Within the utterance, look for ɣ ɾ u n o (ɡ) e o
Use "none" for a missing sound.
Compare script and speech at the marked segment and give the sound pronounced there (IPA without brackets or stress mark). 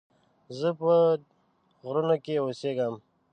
k